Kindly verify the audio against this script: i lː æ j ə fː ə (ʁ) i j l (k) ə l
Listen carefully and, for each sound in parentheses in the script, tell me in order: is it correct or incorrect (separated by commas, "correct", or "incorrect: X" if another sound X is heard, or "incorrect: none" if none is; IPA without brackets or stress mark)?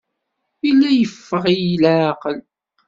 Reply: correct, incorrect: q